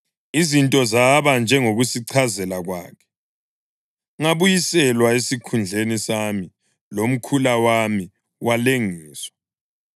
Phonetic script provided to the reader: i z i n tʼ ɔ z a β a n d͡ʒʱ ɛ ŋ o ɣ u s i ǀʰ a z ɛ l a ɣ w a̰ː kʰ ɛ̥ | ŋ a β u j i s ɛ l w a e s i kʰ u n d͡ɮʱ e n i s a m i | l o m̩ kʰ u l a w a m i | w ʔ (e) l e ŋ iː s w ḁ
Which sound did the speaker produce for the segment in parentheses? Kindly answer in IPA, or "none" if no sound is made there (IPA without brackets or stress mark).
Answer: a